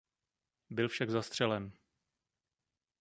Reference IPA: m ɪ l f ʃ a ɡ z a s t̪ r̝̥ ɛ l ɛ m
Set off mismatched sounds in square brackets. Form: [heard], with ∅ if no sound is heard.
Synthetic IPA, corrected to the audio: [b] ɪ l f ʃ a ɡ z a s t̪ r̝̥ ɛ l ɛ [n]